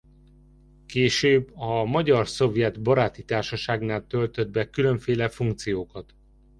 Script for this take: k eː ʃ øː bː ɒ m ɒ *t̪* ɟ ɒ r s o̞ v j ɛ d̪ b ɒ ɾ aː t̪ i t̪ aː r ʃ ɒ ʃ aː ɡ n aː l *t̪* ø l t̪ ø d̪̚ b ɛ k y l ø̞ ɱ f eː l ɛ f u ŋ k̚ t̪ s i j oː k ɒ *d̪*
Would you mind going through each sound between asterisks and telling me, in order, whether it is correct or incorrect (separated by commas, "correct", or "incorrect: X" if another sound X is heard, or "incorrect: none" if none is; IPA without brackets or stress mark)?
incorrect: none, correct, incorrect: t̪